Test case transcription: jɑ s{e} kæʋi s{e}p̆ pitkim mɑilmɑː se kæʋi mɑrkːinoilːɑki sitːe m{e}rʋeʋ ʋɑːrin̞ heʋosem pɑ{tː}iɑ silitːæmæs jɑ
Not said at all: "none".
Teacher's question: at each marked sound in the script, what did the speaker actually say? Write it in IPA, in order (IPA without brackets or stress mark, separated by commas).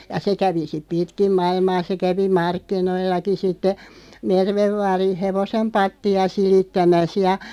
e, i, e, tː